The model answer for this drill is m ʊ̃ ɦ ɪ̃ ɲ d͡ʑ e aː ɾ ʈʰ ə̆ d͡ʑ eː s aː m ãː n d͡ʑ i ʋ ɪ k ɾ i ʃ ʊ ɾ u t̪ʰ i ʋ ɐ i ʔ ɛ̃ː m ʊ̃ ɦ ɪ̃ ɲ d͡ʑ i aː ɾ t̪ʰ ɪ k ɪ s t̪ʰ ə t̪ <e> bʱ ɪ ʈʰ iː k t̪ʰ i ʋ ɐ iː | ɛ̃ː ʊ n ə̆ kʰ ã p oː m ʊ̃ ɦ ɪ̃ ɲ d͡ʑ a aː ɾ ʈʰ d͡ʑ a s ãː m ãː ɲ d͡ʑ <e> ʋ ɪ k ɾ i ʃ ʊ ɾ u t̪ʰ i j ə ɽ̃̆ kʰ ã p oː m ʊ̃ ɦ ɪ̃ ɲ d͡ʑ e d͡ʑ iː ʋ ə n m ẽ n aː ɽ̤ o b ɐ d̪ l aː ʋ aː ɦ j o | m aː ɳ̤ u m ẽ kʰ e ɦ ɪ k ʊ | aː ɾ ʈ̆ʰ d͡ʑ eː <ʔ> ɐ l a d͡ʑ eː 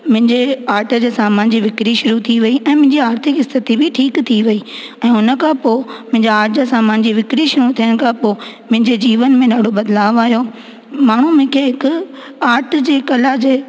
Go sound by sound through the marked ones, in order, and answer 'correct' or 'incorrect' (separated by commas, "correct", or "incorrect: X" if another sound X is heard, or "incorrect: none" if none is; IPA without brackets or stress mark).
incorrect: i, incorrect: i, incorrect: k